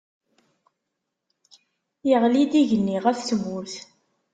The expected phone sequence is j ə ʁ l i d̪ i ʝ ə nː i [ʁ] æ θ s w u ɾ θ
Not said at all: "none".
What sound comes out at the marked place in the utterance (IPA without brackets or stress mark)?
ʁ